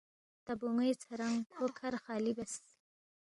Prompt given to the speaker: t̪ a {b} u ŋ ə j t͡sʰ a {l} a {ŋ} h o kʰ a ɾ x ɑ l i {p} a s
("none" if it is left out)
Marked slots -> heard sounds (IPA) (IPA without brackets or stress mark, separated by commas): b, ɾ, ŋ, b